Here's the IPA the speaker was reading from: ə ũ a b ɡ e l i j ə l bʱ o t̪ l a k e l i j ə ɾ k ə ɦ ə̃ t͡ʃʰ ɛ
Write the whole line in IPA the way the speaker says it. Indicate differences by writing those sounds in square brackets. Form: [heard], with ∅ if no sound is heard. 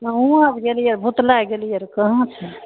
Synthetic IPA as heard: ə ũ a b ɡ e l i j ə [ɾ] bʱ [u] t̪ l a [ɡ] e l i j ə ɾ k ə ɦ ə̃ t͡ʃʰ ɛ